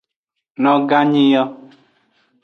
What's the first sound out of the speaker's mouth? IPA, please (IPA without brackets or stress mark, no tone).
n